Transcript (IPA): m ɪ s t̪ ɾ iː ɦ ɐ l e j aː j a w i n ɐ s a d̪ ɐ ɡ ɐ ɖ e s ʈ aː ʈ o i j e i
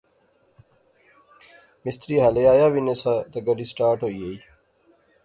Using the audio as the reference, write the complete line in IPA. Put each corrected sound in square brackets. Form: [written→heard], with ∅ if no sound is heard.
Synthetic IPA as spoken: m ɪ s t̪ ɾ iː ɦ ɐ l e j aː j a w i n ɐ s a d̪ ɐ ɡ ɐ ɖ [e→i] s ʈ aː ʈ o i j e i